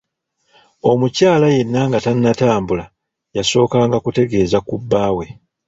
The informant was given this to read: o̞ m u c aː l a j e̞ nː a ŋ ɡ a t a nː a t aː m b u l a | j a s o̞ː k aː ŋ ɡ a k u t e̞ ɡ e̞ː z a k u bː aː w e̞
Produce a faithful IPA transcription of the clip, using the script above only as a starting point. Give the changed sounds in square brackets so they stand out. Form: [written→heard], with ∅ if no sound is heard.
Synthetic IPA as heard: o̞ m u c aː l a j e̞ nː a ŋ ɡ a t a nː a t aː m b u l a | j a s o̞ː k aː ŋ ɡ a k u t e̞ ɡ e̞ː z a k u bː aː w e̞